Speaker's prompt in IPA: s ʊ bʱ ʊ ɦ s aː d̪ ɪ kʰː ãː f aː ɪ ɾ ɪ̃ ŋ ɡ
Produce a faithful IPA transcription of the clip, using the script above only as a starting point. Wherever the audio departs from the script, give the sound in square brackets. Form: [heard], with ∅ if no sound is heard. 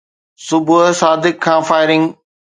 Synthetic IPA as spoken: s ʊ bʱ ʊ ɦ s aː d̪ ɪ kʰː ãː f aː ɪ ɾ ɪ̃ ŋ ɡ